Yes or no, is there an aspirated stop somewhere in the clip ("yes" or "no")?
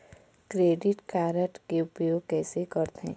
no